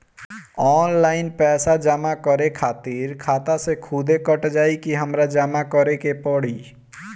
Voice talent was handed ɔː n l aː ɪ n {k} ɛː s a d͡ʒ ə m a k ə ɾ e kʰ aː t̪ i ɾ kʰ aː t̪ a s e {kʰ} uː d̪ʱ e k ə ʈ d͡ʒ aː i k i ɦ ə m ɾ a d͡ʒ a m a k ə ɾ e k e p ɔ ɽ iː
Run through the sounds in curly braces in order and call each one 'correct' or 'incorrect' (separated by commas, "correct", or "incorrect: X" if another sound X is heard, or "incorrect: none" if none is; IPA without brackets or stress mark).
incorrect: p, correct